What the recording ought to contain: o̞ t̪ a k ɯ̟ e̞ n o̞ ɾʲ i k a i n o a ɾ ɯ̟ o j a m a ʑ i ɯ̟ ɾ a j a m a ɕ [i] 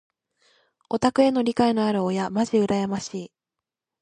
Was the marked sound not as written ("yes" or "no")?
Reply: yes